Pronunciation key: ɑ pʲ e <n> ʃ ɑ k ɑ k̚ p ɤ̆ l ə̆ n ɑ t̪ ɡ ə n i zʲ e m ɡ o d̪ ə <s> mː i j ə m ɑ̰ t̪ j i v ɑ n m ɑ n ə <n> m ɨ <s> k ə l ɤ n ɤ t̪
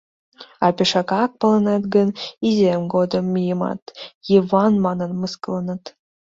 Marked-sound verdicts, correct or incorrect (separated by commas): incorrect, incorrect, correct, correct